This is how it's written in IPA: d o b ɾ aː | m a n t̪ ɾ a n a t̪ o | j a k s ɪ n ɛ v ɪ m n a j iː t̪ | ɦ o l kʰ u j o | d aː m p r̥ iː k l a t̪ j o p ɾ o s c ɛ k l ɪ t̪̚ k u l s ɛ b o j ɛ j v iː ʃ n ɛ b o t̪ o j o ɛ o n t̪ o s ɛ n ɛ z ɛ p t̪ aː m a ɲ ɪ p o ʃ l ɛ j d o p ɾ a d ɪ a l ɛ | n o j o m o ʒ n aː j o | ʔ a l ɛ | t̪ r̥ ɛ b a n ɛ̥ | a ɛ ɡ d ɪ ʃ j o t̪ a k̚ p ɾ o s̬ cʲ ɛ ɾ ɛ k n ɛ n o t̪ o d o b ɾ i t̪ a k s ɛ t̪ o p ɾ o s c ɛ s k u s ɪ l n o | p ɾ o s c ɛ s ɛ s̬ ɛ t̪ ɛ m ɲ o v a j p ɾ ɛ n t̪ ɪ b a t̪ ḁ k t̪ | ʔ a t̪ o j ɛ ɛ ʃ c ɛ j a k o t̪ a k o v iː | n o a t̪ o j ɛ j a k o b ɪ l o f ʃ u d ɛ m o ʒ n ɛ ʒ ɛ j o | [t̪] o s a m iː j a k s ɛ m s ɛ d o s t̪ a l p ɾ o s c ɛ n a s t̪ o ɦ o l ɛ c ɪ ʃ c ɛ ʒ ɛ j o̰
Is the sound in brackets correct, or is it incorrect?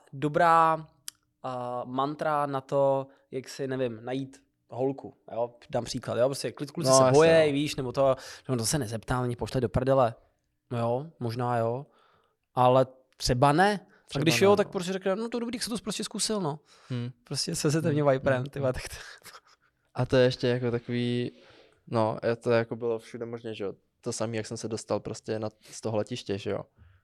correct